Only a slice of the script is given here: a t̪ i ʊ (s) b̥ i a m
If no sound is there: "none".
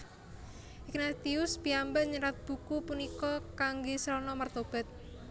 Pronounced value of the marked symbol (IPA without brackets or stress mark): s